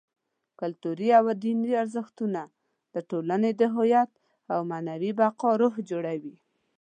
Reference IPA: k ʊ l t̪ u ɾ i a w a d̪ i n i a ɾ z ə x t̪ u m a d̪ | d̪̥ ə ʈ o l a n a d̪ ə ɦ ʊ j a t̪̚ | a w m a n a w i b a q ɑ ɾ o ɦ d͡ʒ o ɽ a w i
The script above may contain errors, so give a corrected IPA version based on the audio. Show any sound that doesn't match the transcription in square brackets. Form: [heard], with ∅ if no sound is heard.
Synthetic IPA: k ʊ l t̪ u ɾ i a w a d̪ i n i a ɾ z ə x t̪ u [n] a [∅] | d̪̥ ə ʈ o l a n [e] d̪ ə ɦ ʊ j a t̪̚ | a w m a n a w i b a q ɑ ɾ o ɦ d͡ʒ o ɽ a w i